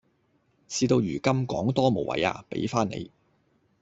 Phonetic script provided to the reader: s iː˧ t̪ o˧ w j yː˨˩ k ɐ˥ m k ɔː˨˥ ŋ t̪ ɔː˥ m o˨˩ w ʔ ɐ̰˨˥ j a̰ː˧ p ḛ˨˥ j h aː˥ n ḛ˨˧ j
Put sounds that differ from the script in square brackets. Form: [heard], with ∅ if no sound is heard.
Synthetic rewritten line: s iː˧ t̪ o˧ w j yː˨˩ k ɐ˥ m k ɔː˨˥ ŋ t̪ ɔː˥ m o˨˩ w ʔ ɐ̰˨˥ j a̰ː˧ p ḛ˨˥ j [f] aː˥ n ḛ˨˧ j